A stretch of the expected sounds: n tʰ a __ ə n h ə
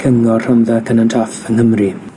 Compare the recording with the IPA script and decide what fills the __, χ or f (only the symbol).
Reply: f